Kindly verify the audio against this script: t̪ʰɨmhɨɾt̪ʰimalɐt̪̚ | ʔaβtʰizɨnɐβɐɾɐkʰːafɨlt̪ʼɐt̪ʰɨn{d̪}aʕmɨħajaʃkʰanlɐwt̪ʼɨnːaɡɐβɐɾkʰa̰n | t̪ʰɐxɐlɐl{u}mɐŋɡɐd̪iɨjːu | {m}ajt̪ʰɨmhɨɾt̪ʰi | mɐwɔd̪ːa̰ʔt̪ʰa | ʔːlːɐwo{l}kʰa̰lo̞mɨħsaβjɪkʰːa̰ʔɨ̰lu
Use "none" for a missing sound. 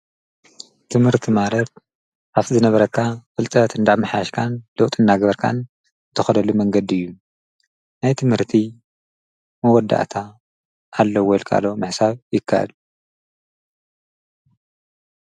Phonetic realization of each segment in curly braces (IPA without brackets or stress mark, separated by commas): d̪, u, n, l